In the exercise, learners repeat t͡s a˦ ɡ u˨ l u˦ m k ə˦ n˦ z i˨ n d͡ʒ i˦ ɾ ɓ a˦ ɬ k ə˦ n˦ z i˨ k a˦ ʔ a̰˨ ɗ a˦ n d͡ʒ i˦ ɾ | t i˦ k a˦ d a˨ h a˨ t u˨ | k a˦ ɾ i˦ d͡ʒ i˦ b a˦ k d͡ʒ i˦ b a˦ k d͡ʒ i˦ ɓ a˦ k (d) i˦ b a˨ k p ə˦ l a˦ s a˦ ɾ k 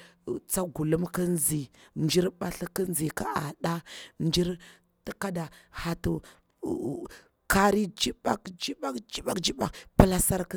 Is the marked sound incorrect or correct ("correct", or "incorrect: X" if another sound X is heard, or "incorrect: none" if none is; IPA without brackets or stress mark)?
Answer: incorrect: d͡ʒ